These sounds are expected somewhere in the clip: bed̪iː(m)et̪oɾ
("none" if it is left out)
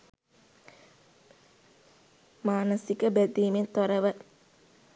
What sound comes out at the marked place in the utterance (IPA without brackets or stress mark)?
m